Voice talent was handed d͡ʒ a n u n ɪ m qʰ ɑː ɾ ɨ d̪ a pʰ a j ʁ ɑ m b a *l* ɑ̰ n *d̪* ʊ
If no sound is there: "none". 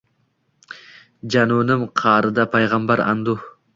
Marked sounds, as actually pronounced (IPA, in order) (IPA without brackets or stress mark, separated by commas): ɾ, d̪